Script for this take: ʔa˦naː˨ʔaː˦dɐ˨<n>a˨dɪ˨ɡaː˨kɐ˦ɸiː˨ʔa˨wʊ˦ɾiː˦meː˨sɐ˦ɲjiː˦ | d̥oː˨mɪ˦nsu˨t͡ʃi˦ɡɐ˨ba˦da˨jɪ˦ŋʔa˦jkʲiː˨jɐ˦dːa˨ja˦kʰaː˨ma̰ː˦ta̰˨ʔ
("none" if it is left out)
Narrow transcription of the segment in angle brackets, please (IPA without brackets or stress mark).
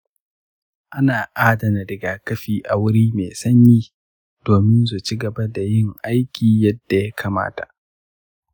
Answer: n